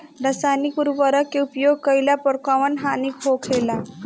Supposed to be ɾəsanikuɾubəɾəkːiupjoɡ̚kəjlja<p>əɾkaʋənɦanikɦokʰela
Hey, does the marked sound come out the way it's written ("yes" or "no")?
yes